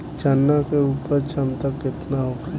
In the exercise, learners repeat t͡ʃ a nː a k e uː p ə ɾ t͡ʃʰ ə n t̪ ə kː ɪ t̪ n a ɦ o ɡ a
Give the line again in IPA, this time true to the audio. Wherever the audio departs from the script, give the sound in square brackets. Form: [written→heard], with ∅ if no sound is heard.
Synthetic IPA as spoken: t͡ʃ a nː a k e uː p ə ɾ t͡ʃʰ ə [n→m] t̪ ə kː ɪ t̪ n a ɦ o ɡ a